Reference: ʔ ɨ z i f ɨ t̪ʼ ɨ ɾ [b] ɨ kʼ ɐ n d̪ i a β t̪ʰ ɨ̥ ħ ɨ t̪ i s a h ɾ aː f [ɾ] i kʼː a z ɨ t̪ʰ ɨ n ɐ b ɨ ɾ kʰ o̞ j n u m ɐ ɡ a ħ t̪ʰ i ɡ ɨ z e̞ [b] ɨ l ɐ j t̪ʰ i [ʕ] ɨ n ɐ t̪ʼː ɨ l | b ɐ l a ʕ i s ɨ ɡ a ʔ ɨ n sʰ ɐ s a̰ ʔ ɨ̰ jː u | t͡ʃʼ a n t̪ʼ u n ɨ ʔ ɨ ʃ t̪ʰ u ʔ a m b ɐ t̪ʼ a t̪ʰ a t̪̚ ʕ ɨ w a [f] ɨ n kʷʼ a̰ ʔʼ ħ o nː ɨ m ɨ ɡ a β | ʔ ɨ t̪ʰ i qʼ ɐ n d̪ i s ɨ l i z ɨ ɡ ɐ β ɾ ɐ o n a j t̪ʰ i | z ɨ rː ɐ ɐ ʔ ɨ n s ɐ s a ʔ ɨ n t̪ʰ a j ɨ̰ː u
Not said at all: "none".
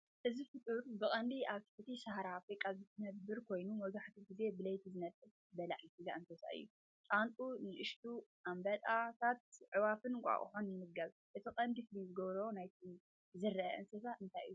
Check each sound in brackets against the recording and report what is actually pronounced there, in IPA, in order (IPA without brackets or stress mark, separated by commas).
b, ɾ, b, z, f